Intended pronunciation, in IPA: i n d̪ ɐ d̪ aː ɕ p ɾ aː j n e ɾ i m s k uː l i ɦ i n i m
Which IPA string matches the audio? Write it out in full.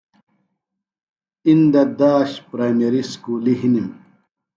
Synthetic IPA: i n d̪ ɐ d̪ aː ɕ p ɾ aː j m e ɾ i s k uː l i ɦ i n i m